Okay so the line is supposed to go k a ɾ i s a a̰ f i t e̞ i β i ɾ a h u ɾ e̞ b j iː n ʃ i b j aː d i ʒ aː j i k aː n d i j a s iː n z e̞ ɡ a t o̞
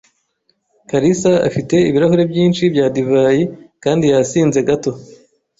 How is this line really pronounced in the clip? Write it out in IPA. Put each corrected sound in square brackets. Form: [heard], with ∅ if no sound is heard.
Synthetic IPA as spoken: k a ɾ i s a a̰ f i t e̞ i β i ɾ a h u ɾ e̞ b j iː n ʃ i b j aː d i [v] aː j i k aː n d i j a s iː n z e̞ ɡ a t o̞